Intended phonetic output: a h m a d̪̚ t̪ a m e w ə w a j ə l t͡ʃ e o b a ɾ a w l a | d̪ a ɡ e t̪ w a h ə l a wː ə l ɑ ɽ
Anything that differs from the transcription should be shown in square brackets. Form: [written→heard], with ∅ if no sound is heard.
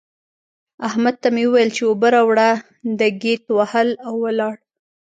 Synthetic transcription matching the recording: a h m a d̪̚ t̪ a m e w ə w a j ə l t͡ʃ e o b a ɾ a w [l→ɽ] a | d̪ [a→ə] ɡ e t̪ w a h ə l a wː ə l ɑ ɽ